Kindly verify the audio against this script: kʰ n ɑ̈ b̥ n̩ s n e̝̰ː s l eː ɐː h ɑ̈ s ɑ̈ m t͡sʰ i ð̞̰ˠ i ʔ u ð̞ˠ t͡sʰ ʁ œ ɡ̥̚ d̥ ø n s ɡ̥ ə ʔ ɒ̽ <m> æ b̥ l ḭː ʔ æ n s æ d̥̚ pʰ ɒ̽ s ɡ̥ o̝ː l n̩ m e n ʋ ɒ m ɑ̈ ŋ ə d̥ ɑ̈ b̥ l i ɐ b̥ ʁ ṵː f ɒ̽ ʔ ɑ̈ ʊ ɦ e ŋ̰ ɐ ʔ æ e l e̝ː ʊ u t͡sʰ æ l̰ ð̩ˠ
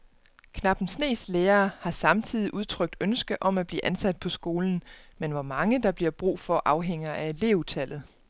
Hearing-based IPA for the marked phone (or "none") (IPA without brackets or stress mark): m